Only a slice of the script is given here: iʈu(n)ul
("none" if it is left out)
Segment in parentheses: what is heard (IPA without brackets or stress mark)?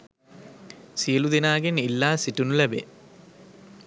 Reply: n